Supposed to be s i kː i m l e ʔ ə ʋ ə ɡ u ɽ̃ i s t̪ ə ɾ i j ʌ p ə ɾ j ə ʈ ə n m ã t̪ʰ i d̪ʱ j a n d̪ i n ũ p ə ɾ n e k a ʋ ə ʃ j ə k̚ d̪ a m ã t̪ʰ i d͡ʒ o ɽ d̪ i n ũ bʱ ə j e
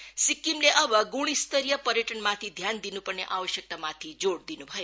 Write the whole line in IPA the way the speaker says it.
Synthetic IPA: s i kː i m l e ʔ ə ʋ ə ɡ u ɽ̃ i s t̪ ə ɾ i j ə p ə ɾ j ə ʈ ə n m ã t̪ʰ i d̪ʱ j a n d̪ i n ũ p ə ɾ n e ʔ a ʋ ə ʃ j ə k̚ t̪ a m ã t̪ʰ i d͡ʒ o ɽ d̪ i n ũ bʱ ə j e